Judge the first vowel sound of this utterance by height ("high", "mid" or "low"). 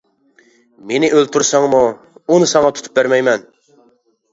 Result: mid